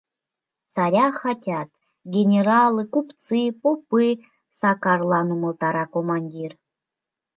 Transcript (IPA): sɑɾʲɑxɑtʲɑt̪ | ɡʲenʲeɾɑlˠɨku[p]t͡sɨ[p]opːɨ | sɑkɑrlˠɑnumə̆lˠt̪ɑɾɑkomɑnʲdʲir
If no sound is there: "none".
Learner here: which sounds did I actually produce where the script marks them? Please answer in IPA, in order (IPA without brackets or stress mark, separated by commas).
p, p